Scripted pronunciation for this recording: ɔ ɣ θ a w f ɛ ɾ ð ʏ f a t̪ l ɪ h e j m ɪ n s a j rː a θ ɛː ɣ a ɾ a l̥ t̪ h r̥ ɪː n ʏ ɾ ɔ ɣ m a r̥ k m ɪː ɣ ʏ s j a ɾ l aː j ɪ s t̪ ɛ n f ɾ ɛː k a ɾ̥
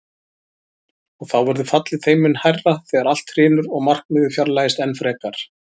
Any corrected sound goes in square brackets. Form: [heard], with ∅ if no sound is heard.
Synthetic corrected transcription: ɔ ɣ θ a w [v] ɛ ɾ ð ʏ f a t̪ l ɪ [θ] e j m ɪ n [h] a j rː a θ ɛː ɣ a ɾ a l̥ t̪ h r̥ ɪː n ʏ ɾ ɔ ɣ m a r̥ k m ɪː [ð] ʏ [f] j a ɾ l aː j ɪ s t̪ ɛ n f ɾ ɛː k a ɾ̥

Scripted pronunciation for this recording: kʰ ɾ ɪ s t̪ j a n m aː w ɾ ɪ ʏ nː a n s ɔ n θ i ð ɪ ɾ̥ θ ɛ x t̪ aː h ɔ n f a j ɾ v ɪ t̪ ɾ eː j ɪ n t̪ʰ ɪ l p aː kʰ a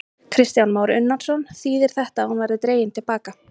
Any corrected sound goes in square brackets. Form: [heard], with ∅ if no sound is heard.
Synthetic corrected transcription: kʰ ɾ ɪ s t̪ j a n m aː w ɾ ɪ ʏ nː a n s ɔ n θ [iː] ð ɪ ɾ̥ θ ɛ [h] t̪ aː h [u] n [v] a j ɾ [ð] ɪ t̪ ɾ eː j ɪ n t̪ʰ ɪ l p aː [k] a

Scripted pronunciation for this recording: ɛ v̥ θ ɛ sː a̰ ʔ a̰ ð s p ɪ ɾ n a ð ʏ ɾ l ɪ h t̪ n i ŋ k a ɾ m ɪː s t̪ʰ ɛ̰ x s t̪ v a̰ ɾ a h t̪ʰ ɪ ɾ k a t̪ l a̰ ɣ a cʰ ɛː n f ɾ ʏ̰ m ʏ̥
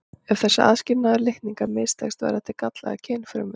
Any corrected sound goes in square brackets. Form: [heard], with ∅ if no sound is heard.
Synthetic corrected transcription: ɛ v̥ θ ɛ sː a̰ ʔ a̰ ð s [c] ɪ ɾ n a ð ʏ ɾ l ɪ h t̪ n i ŋ k a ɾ m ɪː s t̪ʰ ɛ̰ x s t̪ v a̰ ɾ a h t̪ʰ ɪ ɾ k a t̪ l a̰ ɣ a cʰ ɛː n f ɾ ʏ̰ m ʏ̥

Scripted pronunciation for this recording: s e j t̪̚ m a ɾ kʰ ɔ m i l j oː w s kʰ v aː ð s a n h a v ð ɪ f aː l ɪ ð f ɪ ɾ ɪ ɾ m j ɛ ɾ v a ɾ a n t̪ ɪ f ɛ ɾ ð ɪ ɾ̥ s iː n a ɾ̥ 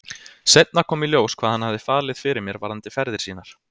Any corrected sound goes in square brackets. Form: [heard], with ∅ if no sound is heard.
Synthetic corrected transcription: s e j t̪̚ [n] a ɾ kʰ [ɔː] m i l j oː w s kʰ v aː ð [h] a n h a v ð ɪ f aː l ɪ ð f ɪ ɾ ɪ ɾ m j ɛ ɾ v a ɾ a n t̪ ɪ f ɛ ɾ ð ɪ ɾ̥ s iː n a ɾ̥

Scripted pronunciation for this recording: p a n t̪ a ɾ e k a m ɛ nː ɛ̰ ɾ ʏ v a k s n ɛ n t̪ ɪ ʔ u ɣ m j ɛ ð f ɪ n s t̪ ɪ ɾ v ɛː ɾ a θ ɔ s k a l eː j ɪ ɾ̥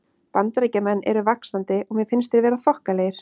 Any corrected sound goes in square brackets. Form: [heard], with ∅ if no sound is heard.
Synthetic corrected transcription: p a n t̪ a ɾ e [c] a m ɛ nː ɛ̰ ɾ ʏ v a k s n [a] n t̪ ɪ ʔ [ɔ] ɣ m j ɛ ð f ɪ n s t̪ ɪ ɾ v ɛː ɾ a θ ɔ [h] k a l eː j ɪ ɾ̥

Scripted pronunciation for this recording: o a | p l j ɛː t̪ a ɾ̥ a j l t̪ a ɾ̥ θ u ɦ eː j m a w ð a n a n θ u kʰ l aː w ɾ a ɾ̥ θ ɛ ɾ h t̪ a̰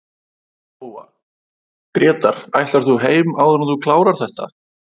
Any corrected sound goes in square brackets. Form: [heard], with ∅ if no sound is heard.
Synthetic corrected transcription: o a | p [ɾ] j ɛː t̪ a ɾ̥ a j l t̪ a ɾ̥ θ u ɦ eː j m a w ð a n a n θ u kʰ l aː w ɾ a ɾ̥ θ ɛ [∅] h t̪ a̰

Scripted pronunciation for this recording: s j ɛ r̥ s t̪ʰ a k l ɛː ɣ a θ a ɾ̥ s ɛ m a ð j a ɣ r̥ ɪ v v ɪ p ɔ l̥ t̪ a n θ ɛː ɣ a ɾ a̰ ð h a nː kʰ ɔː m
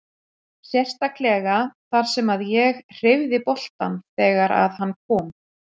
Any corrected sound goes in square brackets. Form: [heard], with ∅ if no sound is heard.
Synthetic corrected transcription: s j ɛ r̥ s [t̪] a k l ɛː ɣ a θ a ɾ̥ s ɛ m a ð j [ɛ] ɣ r̥ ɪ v [ð] ɪ p ɔ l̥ t̪ a n θ ɛː ɣ a ɾ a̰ ð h a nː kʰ ɔː m

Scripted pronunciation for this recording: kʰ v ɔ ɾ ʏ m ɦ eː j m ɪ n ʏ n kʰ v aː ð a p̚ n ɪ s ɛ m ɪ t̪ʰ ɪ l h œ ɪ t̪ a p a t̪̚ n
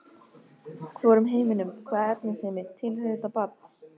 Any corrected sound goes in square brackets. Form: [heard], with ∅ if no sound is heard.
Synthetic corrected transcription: kʰ v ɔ ɾ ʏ m ɦ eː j m ɪ n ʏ [m] kʰ v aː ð [ɛ] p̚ n ɪ s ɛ m ɪ t̪ʰ ɪ l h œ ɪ t̪ a p a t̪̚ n

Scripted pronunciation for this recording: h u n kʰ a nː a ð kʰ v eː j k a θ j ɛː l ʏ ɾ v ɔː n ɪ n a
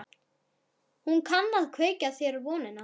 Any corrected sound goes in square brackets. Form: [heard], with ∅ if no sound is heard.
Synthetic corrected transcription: h u n kʰ a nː a ð kʰ v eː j [c] a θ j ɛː [ɾ] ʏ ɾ v ɔː n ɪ n a

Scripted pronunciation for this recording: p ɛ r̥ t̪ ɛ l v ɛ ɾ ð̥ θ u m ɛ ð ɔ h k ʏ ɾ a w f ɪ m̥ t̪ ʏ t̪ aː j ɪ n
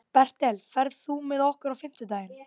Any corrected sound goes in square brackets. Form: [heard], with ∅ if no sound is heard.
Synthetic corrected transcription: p ɛ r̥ t̪ ɛ l [f] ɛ ɾ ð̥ θ u m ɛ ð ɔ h k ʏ ɾ a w f ɪ m̥ t̪ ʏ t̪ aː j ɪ n

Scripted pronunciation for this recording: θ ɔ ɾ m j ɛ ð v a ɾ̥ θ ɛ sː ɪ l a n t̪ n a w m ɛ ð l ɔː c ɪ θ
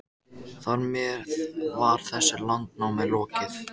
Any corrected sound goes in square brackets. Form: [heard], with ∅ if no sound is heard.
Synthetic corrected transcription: θ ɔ ɾ m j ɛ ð v a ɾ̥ θ ɛ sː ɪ l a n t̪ n a w m ɛ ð l ɔː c ɪ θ

